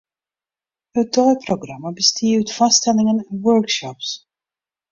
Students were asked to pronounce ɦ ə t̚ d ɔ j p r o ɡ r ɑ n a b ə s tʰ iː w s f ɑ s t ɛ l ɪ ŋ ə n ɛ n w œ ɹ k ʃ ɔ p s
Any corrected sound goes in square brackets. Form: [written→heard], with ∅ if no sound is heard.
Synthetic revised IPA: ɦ ə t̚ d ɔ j p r o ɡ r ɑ [n→m] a b ə s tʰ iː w [s→t] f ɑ s t ɛ l ɪ ŋ ə n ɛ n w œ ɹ k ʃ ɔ p s